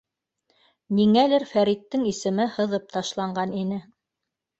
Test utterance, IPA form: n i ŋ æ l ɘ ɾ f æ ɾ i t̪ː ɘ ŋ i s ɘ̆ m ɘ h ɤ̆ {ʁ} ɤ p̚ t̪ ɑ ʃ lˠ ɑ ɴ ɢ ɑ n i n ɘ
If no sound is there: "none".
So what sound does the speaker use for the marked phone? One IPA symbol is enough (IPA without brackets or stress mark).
ð